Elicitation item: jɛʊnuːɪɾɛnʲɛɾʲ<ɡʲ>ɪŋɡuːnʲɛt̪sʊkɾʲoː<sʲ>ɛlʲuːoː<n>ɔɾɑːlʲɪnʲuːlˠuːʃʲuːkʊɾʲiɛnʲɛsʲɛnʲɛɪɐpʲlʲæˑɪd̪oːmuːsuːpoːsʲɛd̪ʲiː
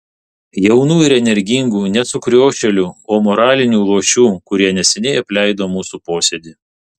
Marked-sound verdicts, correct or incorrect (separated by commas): correct, incorrect, incorrect